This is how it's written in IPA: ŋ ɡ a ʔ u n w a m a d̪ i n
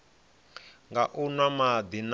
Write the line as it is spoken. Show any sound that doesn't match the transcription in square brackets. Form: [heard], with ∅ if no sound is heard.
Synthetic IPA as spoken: ŋ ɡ a ʔ u n w a m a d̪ i n